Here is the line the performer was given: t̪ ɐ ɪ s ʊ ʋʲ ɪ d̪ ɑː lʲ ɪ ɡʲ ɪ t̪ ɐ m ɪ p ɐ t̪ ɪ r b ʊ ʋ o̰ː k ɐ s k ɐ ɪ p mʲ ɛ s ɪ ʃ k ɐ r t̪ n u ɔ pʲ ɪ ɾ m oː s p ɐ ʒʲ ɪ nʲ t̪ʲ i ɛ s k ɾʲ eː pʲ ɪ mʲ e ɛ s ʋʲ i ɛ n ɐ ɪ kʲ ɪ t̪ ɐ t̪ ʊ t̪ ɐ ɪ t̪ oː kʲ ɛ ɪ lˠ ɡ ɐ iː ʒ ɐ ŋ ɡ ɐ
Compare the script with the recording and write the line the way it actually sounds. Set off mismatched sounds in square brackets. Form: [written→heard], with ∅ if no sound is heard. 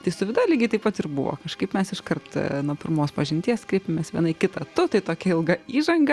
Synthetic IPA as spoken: t̪ ɐ ɪ s ʊ ʋʲ ɪ d̪ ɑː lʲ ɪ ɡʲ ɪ t̪ ɐ [m→∅] ɪ p ɐ t̪ ɪ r b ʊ ʋ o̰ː k ɐ [s→ʃ] k ɐ ɪ p mʲ ɛ s ɪ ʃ k ɐ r t̪ n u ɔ pʲ ɪ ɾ m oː s p ɐ ʒʲ ɪ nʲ t̪ʲ i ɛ s k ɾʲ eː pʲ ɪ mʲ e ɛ s ʋʲ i ɛ n ɐ ɪ kʲ ɪ t̪ ɐ t̪ ʊ t̪ ɐ ɪ t̪ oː kʲ ɛ ɪ lˠ ɡ ɐ iː ʒ ɐ ŋ ɡ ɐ

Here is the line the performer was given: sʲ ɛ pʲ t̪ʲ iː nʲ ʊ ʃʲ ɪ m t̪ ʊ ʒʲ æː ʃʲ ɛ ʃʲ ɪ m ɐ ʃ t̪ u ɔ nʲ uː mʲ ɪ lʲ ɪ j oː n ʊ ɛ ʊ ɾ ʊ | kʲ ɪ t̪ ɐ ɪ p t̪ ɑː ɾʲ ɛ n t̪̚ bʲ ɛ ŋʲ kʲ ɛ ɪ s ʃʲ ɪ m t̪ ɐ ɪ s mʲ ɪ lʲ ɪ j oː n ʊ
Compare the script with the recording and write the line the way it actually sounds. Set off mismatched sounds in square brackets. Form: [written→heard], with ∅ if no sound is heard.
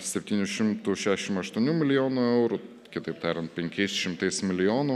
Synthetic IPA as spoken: sʲ ɛ pʲ t̪ʲ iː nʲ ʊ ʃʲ ɪ m t̪ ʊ [ʒʲ→ʃʲ] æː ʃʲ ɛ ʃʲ ɪ m ɐ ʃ t̪ u ɔ nʲ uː mʲ ɪ lʲ ɪ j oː n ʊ ɛ ʊ ɾ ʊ | kʲ ɪ t̪ ɐ ɪ p t̪ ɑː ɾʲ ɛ n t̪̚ [bʲ→pʲ] ɛ ŋʲ kʲ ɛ ɪ s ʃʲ ɪ m t̪ ɐ ɪ s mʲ ɪ lʲ ɪ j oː n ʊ

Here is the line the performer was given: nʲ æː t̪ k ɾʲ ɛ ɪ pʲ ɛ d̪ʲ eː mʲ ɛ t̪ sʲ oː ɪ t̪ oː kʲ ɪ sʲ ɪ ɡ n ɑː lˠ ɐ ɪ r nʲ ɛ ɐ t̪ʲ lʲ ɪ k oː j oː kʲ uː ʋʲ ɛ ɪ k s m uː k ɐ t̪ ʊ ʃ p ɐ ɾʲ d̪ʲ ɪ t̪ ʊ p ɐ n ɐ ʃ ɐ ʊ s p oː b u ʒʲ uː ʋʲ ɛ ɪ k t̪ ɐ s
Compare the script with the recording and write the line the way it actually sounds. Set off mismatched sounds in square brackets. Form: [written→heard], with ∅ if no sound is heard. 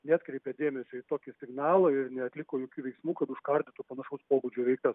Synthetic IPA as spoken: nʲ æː t̪ k ɾʲ ɛ ɪ pʲ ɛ d̪ʲ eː mʲ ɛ [t̪→∅] sʲ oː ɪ t̪ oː kʲ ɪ sʲ ɪ ɡ n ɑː lˠ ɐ ɪ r nʲ ɛ ɐ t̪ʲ lʲ ɪ k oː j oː kʲ uː ʋʲ ɛ ɪ k s m uː k ɐ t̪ ʊ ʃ [p→k] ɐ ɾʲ d̪ʲ ɪ t̪ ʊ p ɐ n ɐ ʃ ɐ ʊ s p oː b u [ʒʲ→d͡ʒʲ] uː ʋʲ ɛ ɪ k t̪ ɐ s

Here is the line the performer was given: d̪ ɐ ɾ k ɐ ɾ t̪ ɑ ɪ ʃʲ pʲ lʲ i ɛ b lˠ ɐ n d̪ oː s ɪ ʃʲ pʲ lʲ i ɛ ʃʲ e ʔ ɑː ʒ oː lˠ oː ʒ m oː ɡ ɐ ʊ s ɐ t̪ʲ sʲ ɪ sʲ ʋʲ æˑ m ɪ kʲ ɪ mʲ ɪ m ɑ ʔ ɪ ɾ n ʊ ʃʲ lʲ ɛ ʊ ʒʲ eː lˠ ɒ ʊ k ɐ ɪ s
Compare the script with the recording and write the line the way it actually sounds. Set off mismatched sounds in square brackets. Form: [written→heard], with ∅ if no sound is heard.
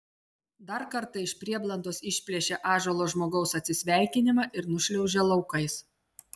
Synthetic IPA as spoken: d̪ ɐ ɾ k ɐ ɾ t̪ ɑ ɪ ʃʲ pʲ [lʲ→ɾʲ] i ɛ b lˠ ɐ n d̪ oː s ɪ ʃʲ pʲ lʲ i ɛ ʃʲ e ʔ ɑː ʒ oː lˠ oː ʒ m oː ɡ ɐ ʊ s ɐ t̪ʲ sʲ ɪ sʲ ʋʲ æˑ [m→∅] ɪ kʲ ɪ [mʲ→nʲ] ɪ m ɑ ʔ ɪ ɾ n ʊ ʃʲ lʲ ɛ ʊ ʒʲ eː lˠ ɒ ʊ k ɐ ɪ s

